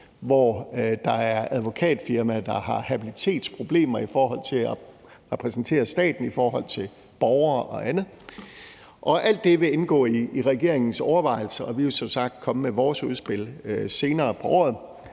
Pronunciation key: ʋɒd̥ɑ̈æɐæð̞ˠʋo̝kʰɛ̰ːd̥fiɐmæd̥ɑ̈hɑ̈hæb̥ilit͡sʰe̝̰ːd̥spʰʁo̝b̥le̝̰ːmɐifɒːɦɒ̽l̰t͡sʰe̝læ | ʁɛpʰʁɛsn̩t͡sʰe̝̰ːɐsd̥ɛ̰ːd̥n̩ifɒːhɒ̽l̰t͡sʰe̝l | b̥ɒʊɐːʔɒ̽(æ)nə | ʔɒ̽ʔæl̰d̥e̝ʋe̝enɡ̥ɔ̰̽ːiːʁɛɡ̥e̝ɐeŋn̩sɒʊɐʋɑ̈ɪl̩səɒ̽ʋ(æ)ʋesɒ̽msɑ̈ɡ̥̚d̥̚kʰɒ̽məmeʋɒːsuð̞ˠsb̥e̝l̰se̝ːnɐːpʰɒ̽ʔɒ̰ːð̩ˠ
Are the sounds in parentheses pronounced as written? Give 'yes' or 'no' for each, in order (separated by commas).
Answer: yes, no